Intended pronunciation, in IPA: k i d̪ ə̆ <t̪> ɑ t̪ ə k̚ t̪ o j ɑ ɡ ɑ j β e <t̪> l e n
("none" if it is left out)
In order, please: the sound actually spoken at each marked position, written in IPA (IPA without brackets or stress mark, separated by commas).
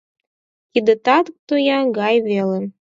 t̪, none